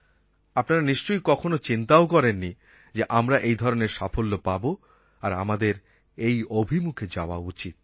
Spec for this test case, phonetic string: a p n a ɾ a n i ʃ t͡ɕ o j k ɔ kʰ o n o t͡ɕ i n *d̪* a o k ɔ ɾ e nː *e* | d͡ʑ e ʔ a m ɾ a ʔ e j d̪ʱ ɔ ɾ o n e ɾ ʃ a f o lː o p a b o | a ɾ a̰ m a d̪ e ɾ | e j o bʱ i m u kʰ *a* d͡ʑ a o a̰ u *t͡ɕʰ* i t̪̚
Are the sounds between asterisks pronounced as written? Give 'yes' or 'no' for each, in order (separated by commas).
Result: no, no, no, no